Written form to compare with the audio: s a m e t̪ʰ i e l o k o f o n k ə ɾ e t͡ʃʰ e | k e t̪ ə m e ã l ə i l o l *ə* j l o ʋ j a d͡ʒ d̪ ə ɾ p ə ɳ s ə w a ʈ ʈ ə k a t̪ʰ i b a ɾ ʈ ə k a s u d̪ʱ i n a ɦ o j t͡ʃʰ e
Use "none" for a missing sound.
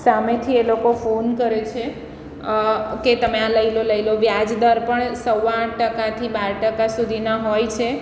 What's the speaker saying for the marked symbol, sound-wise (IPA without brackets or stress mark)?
ə